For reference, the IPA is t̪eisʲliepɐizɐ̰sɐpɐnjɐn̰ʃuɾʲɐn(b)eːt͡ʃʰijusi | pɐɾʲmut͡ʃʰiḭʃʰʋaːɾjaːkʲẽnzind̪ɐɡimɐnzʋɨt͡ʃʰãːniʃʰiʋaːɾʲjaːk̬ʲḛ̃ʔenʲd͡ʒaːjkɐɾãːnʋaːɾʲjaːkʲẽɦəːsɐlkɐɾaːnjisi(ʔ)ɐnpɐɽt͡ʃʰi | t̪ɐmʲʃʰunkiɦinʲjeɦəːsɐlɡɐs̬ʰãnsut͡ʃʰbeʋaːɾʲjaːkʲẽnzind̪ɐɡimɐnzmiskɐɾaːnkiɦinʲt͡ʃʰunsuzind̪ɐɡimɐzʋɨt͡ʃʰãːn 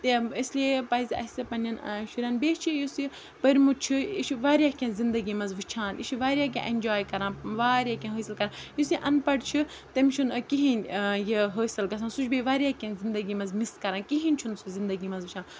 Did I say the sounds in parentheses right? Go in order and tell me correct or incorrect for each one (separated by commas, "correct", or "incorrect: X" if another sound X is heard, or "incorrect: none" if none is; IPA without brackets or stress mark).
correct, correct